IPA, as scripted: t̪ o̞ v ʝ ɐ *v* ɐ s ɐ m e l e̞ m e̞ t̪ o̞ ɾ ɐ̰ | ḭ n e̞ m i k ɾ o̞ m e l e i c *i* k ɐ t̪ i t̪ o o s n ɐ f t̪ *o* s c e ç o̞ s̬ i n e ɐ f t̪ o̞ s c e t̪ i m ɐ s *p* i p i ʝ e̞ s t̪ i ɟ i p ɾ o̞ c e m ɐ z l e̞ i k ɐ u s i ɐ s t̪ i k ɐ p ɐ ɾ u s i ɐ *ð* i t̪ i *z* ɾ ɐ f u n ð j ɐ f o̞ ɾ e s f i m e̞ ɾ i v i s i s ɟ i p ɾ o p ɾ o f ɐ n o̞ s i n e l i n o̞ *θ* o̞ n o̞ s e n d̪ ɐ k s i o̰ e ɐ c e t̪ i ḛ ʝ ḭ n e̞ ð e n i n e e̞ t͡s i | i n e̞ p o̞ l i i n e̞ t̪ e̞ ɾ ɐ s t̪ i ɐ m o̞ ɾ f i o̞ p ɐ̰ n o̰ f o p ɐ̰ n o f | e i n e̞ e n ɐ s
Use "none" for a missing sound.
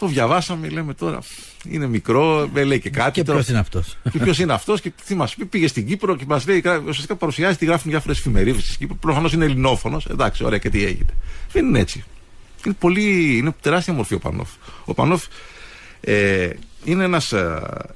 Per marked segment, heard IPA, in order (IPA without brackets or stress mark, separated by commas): v, e, o, p, z, ɣ, f